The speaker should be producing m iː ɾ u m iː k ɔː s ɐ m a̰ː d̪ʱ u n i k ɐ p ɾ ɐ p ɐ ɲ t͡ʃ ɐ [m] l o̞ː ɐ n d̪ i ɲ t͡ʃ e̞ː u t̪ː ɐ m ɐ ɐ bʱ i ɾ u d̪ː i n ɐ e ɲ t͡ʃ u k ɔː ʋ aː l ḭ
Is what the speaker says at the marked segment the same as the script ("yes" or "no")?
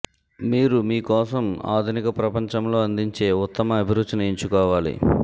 yes